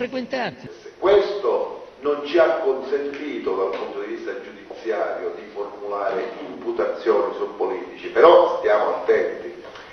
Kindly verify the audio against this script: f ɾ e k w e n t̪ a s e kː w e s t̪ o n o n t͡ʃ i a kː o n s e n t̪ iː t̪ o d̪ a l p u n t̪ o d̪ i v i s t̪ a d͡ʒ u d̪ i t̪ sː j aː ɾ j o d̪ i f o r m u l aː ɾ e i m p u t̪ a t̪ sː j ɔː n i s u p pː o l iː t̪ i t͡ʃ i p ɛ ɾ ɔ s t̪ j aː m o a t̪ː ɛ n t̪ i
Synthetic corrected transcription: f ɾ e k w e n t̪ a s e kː w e s t̪ o n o n t͡ʃ i a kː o n s e n t̪ iː t̪ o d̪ a l p u n t̪ o d̪ i v i s t̪ a d͡ʒ u d̪ i t̪ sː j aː ɾ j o d̪ i f o r m u l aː ɾ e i m p u t̪ a t̪ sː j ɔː n i s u p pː o l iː t̪ i t͡ʃ i p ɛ ɾ ɔ s t̪ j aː m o a t̪ː ɛ n t̪ i